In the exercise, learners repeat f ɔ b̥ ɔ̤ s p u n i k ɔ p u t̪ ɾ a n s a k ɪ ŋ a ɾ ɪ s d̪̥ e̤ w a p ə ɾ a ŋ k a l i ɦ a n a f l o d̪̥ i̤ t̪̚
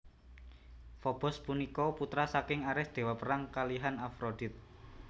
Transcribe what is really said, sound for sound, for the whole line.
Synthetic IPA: f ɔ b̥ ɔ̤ s p u n i k ɔ p u t̪ ɾ a s a k ɪ ŋ a ɾ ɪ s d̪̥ e̤ w a p ə ɾ a ŋ k a l i ɦ a n a f ɾ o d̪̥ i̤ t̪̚